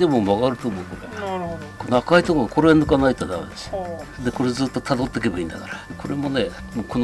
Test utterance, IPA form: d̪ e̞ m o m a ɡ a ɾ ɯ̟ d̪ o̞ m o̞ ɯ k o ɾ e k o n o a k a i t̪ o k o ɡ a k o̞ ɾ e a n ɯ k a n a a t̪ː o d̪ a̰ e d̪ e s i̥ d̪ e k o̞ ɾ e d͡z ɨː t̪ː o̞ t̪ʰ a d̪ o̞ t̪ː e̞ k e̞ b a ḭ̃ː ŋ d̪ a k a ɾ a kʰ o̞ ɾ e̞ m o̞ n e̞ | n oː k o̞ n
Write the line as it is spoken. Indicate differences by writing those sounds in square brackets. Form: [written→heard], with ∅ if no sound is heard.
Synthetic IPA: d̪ e̞ m o m a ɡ a ɾ ɯ̟ [d̪→t̪] o̞ m o̞ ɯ k o ɾ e k o n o a k a i t̪ o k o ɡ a k o̞ ɾ e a n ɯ k a n a [a→i] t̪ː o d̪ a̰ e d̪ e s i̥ d̪ e k o̞ ɾ e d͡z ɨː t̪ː o̞ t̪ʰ a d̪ o̞ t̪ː e̞ k e̞ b a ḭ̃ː [ŋ→n] d̪ a k a ɾ a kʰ o̞ ɾ e̞ m o̞ n e̞ | [n→m] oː k o̞ n